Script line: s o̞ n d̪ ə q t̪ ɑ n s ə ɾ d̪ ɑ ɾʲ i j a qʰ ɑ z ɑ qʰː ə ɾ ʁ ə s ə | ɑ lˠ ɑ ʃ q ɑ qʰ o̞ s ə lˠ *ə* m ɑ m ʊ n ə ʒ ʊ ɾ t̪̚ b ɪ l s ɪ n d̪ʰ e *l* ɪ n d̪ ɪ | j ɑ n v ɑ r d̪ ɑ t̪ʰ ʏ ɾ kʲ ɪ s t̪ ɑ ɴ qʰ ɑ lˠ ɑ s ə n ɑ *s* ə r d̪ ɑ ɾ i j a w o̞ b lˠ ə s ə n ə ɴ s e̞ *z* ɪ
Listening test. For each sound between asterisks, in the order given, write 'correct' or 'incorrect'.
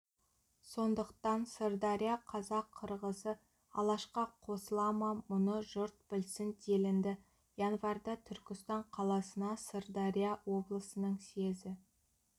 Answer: incorrect, correct, correct, correct

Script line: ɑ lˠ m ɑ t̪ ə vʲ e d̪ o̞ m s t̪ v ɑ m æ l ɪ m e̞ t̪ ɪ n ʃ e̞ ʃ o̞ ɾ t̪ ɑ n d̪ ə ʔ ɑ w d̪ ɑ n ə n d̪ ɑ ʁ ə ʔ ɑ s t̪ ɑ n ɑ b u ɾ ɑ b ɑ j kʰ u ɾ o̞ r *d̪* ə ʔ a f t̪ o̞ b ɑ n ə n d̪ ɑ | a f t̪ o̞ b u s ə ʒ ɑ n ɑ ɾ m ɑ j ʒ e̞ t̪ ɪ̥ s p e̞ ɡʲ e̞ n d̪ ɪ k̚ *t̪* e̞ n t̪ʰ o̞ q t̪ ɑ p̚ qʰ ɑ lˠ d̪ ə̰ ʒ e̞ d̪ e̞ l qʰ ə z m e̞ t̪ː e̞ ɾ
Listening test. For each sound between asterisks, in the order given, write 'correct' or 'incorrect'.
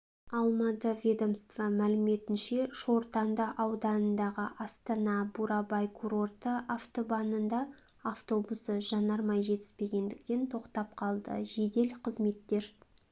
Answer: incorrect, correct

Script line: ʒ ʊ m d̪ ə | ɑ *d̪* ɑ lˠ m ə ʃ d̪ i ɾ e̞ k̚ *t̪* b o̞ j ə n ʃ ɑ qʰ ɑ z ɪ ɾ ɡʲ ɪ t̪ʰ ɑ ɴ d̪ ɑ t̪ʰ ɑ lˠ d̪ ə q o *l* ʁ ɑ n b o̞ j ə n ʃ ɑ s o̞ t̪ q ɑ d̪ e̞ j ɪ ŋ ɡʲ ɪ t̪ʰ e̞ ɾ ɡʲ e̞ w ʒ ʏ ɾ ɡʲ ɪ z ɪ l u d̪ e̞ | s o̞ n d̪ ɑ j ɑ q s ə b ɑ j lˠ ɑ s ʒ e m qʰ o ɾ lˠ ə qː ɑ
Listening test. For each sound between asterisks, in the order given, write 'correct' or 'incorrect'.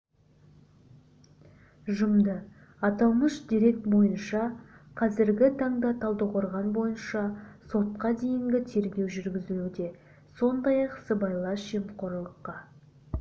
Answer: incorrect, correct, incorrect

